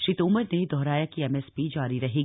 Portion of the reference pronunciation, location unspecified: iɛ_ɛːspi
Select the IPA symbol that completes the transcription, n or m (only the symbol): m